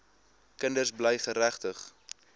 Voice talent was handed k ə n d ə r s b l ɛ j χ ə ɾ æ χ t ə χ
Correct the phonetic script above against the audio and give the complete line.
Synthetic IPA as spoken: k ə n d ə r s b l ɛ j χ ə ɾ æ χ t ə χ